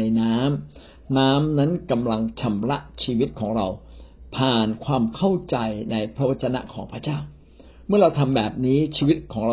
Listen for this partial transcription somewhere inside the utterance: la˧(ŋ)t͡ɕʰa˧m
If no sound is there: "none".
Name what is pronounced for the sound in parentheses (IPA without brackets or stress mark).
ŋ